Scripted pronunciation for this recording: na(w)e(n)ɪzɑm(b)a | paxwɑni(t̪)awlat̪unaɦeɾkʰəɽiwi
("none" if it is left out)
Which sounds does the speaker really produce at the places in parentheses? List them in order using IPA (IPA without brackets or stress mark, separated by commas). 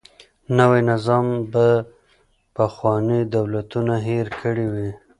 w, n, b, d̪